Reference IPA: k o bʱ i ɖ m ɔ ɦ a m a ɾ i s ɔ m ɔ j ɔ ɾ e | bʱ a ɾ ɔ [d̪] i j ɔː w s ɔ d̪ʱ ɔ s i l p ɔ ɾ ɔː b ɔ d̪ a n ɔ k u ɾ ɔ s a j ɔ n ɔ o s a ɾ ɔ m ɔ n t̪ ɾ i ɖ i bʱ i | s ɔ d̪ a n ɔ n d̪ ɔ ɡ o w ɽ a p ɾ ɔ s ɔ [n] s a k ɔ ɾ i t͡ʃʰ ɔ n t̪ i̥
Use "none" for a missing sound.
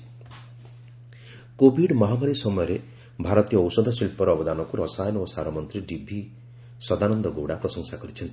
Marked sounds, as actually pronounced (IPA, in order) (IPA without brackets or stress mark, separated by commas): t̪, ŋ